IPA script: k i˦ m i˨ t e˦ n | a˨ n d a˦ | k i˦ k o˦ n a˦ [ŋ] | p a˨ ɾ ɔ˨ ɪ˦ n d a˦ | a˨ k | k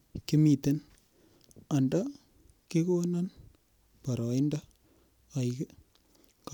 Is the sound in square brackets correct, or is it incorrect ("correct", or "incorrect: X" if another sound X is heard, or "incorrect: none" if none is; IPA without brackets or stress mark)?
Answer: incorrect: n